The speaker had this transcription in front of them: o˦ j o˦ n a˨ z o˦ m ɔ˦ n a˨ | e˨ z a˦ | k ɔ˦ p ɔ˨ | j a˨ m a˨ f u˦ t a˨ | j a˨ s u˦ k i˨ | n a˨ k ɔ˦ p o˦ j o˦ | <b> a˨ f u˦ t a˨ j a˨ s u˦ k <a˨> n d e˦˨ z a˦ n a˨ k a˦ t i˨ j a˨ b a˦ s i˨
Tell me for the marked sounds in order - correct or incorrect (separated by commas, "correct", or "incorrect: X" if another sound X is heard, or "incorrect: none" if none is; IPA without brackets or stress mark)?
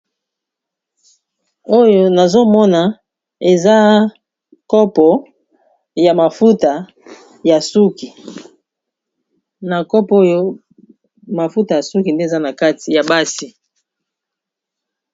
incorrect: m, incorrect: i˨